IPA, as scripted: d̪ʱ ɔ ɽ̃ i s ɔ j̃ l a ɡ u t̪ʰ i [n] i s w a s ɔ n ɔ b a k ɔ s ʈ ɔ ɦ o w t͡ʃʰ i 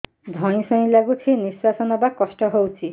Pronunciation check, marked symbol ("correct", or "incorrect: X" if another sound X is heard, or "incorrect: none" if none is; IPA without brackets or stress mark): correct